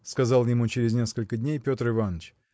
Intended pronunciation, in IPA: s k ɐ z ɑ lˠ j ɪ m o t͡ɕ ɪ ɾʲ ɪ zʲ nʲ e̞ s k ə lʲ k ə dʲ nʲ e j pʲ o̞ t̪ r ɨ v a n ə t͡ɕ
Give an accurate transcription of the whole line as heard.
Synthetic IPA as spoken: s k ɐ z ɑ lˠ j ɪ m u t͡ɕ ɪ ɾʲ ɪ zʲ nʲ e̞ s k ə lʲ k ə dʲ nʲ e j pʲ o̞ t̪ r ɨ v a n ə t͡ɕ